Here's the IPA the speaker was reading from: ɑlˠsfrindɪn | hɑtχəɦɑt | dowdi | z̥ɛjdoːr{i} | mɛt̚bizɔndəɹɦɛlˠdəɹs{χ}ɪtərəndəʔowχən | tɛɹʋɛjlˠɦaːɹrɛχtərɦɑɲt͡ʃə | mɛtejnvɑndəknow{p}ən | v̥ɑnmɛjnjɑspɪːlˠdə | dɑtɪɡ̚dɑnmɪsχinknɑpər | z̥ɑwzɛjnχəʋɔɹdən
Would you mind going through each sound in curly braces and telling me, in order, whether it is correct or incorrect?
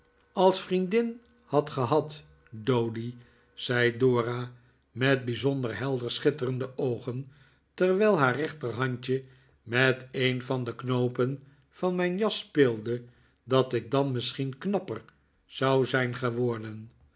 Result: incorrect: a, correct, correct

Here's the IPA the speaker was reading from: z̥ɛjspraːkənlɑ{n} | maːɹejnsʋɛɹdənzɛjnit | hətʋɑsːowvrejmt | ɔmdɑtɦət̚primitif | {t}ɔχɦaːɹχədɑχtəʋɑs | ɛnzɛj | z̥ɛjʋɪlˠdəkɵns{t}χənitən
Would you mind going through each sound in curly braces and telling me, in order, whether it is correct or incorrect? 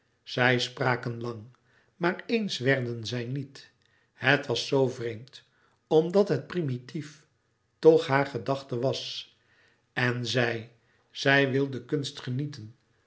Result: incorrect: ŋ, correct, correct

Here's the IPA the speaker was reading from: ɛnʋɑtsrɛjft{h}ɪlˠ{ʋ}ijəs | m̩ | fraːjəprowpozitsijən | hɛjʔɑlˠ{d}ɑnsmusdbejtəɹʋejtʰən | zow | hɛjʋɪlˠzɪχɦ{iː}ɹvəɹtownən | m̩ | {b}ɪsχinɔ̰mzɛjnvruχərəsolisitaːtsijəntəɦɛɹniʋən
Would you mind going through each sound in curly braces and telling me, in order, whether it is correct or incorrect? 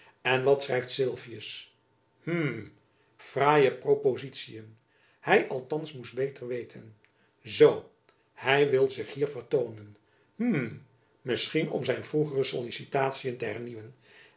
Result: incorrect: s, incorrect: v, incorrect: t, correct, incorrect: m

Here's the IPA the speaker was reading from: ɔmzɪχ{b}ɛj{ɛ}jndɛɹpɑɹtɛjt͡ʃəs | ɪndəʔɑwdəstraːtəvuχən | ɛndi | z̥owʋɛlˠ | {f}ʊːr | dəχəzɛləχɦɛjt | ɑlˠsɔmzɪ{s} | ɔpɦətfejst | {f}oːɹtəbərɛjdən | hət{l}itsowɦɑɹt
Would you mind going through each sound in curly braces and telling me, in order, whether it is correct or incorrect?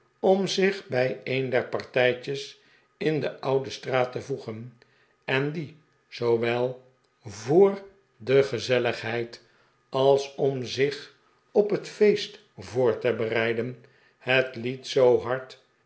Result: correct, incorrect: e, incorrect: v, incorrect: χ, incorrect: v, correct

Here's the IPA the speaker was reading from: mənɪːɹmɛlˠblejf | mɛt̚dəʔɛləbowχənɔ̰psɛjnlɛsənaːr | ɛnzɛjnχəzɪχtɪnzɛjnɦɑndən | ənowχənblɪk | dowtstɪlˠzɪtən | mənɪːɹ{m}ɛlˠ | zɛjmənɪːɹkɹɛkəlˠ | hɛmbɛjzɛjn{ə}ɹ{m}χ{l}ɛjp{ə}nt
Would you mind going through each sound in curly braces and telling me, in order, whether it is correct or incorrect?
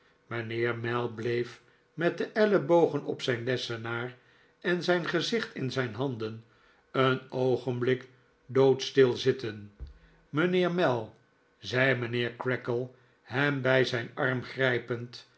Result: correct, incorrect: ɑ, correct, incorrect: r, correct

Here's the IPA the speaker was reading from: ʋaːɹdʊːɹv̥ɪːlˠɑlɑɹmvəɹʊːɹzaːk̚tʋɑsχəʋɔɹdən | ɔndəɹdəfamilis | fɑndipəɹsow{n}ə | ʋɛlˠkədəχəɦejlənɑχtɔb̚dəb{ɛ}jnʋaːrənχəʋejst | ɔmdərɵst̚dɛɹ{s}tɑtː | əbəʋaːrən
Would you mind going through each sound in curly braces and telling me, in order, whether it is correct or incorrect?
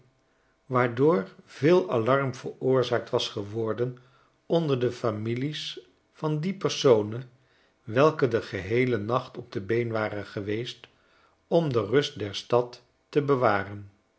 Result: correct, incorrect: e, correct

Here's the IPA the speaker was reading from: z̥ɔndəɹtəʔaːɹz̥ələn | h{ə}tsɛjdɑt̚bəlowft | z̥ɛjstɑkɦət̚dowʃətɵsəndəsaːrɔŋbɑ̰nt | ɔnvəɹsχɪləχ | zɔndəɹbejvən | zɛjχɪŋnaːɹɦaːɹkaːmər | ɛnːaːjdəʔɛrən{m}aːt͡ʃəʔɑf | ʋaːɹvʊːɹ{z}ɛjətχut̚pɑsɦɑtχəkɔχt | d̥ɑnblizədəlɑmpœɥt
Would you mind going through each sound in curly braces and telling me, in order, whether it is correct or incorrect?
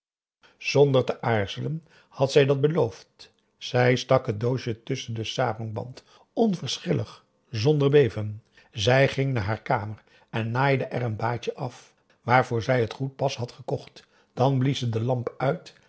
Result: incorrect: ɑ, incorrect: b, correct

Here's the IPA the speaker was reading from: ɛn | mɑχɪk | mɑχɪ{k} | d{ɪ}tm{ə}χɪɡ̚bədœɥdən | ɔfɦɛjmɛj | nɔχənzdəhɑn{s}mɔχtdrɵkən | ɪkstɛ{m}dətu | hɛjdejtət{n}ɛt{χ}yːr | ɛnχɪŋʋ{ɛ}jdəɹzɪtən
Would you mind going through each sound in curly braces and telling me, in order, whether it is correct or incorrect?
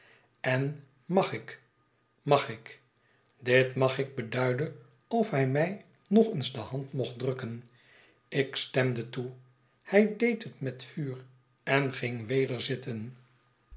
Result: correct, correct, incorrect: ɑ, incorrect: t, correct, incorrect: m, incorrect: f, incorrect: e

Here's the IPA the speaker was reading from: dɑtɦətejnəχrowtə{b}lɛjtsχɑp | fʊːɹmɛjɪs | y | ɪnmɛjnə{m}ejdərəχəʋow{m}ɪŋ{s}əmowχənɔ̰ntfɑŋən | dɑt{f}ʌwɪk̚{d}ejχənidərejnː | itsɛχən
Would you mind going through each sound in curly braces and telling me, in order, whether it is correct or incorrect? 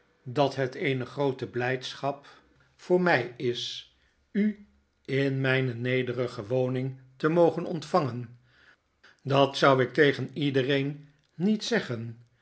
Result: correct, incorrect: n, incorrect: n, incorrect: t, incorrect: s, incorrect: t

